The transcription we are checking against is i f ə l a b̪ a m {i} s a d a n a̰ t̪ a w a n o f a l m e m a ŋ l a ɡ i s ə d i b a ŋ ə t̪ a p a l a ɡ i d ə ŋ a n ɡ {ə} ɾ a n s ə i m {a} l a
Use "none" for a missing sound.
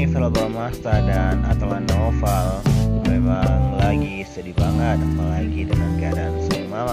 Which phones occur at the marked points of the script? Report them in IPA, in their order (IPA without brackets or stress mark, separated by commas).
a, a, a